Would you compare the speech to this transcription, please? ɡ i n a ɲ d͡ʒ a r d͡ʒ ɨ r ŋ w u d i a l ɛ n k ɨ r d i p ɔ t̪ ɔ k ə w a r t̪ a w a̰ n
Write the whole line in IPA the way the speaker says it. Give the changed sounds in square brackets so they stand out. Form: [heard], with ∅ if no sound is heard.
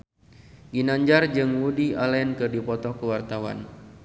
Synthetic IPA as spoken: ɡ i n a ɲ d͡ʒ a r d͡ʒ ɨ [∅] ŋ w u d i a l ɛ n k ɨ r d i p ɔ t̪ ɔ k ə w a r t̪ a w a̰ n